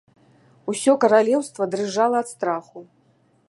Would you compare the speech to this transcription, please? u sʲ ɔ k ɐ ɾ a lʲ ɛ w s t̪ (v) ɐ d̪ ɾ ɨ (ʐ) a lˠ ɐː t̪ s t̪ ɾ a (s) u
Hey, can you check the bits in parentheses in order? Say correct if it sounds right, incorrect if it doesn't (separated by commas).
correct, correct, incorrect